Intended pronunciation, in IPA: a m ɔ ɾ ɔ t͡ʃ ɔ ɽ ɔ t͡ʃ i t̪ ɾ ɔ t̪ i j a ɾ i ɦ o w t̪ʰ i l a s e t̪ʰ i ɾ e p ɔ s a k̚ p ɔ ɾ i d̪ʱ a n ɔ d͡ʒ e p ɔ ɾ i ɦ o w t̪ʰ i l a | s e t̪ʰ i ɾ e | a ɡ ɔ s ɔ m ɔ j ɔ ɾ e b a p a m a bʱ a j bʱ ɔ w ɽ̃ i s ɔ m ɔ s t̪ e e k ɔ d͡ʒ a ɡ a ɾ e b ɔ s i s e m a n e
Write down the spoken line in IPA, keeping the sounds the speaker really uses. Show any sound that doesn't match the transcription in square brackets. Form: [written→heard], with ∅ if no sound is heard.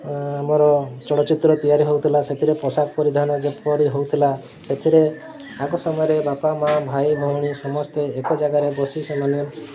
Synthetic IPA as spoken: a m ɔ ɾ ɔ t͡ʃ ɔ ɽ ɔ t͡ʃ i t̪ ɾ ɔ t̪ i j a ɾ i ɦ o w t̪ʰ i l a s e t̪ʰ i ɾ e p ɔ s a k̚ p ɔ ɾ i d̪ʱ a n ɔ d͡ʒ e p ɔ ɾ i ɦ o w t̪ʰ i l a | s e t̪ʰ i ɾ e | a ɡ ɔ s ɔ m ɔ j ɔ ɾ e b a p a m a bʱ a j bʱ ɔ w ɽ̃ i s ɔ m ɔ s t̪ e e k ɔ d͡ʒ a ɡ a ɾ e b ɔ s i s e m a n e